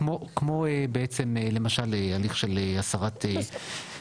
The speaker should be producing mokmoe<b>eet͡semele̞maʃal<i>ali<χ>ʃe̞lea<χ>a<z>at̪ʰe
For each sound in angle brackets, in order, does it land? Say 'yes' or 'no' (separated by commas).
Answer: yes, no, yes, no, no